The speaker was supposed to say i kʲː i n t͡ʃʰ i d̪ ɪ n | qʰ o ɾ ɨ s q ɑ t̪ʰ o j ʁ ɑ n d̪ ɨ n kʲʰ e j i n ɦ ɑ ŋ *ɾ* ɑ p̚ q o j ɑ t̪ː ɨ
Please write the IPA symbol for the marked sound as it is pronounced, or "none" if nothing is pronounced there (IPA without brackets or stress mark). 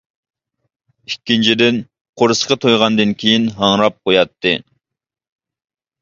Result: ɾ